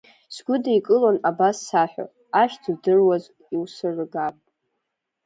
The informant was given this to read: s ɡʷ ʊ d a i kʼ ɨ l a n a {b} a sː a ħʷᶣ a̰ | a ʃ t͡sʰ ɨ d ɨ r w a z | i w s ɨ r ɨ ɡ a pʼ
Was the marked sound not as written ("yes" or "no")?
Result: no